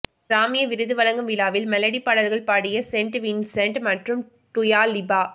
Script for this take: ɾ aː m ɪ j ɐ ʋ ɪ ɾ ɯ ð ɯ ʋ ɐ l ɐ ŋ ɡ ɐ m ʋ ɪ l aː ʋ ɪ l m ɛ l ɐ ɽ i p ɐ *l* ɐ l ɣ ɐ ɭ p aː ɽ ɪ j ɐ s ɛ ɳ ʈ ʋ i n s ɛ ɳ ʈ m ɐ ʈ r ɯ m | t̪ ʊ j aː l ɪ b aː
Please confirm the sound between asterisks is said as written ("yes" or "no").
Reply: no